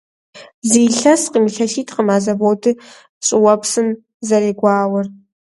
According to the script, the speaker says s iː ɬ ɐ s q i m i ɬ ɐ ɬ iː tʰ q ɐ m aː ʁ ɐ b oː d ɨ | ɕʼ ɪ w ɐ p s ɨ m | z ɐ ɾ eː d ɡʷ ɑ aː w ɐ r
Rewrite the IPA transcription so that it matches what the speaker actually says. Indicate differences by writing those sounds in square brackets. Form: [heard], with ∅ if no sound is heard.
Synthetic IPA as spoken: [z] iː ɬ ɐ s q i m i ɬ ɐ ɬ iː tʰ q [ə] m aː [z] ɐ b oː d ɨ | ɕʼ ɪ w ɐ p s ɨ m | z ɐ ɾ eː [∅] ɡʷ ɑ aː w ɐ r